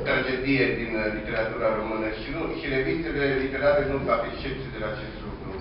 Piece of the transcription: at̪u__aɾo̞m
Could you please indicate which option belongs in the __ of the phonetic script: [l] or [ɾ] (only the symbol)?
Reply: ɾ